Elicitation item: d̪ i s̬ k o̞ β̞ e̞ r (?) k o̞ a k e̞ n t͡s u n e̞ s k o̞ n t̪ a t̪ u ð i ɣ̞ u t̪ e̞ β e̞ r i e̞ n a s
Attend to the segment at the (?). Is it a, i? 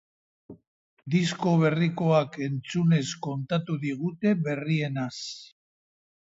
i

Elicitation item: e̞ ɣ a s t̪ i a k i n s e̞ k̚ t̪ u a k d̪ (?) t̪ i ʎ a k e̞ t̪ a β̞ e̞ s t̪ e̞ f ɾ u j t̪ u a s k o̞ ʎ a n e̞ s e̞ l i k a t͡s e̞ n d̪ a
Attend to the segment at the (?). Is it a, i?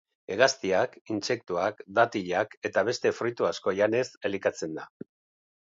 a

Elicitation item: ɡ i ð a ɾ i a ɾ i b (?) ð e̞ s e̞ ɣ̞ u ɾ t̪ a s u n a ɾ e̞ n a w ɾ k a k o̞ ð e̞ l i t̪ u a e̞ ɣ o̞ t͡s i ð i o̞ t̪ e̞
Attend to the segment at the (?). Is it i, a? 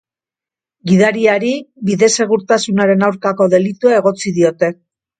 i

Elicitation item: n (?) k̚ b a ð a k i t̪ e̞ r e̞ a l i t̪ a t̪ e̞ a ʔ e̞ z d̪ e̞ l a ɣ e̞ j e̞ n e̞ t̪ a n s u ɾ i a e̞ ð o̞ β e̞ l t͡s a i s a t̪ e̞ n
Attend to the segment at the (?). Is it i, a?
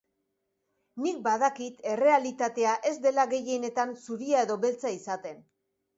i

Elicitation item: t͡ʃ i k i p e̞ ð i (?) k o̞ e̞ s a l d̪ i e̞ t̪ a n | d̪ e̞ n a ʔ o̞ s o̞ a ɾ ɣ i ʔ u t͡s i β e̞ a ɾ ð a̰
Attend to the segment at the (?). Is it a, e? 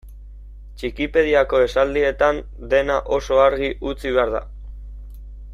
a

